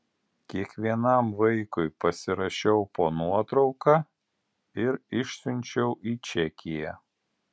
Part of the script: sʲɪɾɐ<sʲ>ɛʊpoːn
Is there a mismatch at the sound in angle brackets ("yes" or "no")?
yes